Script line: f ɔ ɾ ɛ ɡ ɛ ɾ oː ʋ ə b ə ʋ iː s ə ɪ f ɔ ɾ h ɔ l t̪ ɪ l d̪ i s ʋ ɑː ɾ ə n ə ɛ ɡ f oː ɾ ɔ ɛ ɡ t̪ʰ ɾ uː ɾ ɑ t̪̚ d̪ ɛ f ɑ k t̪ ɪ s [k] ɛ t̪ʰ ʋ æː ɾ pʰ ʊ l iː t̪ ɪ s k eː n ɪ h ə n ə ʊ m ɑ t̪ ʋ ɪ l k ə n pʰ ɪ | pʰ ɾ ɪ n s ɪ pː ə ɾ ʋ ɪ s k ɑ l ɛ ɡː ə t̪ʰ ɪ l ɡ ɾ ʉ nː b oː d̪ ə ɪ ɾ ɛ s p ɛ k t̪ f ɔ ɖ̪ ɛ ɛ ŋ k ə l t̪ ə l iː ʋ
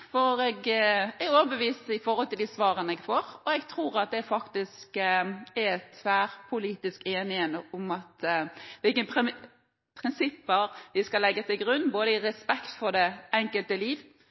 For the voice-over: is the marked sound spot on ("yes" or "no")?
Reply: yes